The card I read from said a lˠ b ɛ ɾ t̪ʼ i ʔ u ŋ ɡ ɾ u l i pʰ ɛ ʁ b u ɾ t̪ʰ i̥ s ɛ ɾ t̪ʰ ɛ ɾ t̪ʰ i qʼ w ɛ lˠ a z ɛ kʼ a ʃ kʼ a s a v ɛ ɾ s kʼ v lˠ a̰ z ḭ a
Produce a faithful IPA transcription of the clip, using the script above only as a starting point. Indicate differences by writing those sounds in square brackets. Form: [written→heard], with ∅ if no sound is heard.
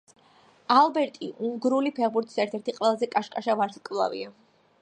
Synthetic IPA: a lˠ b ɛ ɾ t̪ʼ i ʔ u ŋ ɡ ɾ u l i pʰ ɛ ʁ b u ɾ t̪ʰ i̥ s ɛ ɾ t̪ʰ ɛ ɾ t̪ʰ i qʼ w ɛ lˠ a z ɛ kʼ a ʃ kʼ a [s→ʃ] a v [ɛ→a] ɾ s kʼ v lˠ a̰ [z→v] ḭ a